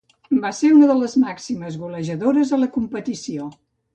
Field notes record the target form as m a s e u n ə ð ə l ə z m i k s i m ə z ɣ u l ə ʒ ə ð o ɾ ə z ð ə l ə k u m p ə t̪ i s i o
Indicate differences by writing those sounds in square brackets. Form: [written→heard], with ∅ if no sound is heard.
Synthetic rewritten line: [m→b] a s e u n ə ð ə l ə z m [i→a] k s i m ə z ɣ u l ə ʒ ə ð o ɾ ə z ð ə l ə k u m p ə t̪ i s i o